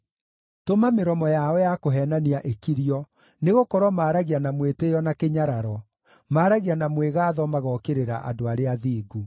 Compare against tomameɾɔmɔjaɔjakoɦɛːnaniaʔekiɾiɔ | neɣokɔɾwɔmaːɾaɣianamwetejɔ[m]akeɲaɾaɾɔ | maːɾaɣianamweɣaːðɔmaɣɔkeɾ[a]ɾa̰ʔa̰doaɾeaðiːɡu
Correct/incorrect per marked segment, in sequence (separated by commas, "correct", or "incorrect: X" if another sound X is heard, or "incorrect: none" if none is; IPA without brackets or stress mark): incorrect: n, incorrect: e